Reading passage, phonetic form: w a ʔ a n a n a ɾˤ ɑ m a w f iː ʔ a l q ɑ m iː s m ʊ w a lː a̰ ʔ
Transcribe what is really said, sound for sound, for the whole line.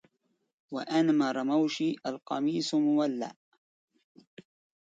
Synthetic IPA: w a ʔ a n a m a ɾˤ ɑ m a w ʃ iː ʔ a l q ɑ m iː s m ʊ w a lː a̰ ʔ